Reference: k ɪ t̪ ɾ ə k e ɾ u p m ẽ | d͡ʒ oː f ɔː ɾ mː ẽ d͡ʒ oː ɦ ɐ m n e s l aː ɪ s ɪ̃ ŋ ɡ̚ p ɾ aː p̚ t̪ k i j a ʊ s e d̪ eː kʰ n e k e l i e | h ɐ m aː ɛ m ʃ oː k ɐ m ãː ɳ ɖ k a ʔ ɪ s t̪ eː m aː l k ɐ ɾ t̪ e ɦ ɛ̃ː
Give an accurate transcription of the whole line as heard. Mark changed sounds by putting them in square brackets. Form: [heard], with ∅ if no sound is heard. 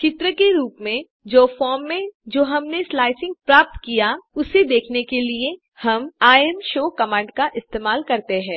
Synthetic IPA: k ɪ t̪ ɾ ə k e ɾ [uː] p m ẽ | d͡ʒ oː f ɔː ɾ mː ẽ d͡ʒ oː ɦ ɐ m n e s l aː ɪ s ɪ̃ ŋ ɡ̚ p ɾ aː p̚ t̪ k i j a ʊ s e d̪ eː kʰ n e k e l i e | h ɐ m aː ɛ m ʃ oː k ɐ m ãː ɳ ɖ k a ʔ ɪ s t̪ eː m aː l k ɐ ɾ t̪ e ɦ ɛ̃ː